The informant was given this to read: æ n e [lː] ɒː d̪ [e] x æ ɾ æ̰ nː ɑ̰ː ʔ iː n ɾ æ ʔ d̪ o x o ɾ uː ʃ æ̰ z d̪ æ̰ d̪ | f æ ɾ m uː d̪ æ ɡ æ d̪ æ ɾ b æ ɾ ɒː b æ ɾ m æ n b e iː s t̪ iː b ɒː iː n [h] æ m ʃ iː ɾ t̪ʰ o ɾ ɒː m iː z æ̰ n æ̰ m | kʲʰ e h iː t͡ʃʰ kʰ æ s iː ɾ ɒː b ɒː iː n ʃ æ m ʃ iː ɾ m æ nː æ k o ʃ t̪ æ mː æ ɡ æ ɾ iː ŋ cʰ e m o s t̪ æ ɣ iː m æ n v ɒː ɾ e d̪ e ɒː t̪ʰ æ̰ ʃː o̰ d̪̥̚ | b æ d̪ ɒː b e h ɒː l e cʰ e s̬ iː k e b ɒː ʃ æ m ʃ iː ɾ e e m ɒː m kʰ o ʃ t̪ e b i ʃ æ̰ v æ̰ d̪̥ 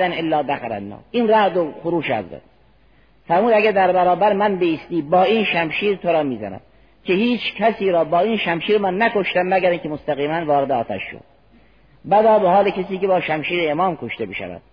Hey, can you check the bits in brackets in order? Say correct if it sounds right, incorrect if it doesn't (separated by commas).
correct, incorrect, incorrect